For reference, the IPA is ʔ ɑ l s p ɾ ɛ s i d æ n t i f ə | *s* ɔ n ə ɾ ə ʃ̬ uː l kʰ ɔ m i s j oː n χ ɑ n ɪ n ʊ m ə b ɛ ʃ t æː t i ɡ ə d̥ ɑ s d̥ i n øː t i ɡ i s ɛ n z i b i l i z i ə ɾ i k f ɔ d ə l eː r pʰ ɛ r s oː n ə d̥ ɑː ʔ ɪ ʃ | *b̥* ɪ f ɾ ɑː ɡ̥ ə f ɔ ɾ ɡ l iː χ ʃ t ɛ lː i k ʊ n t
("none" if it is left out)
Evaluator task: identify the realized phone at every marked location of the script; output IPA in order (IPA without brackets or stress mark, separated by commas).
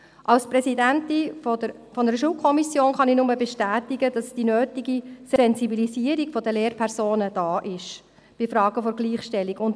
f, b̥